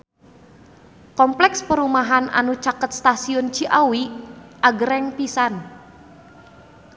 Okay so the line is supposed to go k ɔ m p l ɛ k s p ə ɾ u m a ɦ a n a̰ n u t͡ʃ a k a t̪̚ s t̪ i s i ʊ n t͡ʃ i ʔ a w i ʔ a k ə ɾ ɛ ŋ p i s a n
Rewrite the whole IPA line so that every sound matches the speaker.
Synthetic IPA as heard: k ɔ m p l ɛ k s p ə ɾ u m a ɦ a n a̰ n u t͡ʃ a k ə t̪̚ s t̪ a s i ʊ n t͡ʃ i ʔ a w i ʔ a ɡ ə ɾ ɛ ŋ p i s a n